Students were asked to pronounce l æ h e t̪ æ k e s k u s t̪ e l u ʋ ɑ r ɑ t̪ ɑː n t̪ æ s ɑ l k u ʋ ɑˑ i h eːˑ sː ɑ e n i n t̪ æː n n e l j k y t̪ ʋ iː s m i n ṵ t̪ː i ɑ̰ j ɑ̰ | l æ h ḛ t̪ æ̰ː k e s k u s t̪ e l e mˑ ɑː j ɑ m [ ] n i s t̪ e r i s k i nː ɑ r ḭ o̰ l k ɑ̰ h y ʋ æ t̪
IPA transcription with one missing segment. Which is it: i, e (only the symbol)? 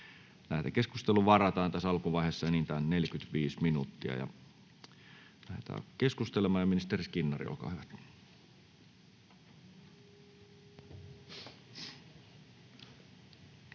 i